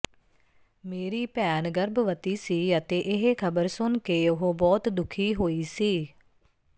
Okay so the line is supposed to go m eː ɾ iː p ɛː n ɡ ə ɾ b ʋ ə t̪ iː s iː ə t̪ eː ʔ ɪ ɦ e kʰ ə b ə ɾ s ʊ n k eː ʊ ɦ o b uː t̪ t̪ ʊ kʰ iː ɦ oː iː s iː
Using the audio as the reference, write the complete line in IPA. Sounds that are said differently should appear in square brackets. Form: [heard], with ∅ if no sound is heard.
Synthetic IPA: m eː ɾ iː p ɛː n ɡ ə ɾ b ʋ ə t̪ iː s iː ə t̪ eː ʔ ɪ ɦ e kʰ ə b ə ɾ s ʊ n k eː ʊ ɦ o b [ɔː] t̪ [d̪] ʊ kʰ iː ɦ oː iː s iː